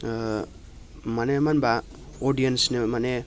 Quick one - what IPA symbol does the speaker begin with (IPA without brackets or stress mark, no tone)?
m